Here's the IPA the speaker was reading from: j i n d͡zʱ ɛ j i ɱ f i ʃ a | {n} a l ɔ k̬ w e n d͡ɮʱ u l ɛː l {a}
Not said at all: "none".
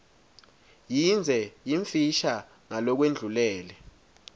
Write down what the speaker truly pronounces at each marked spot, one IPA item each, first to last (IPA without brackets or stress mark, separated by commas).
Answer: ŋ, ɛ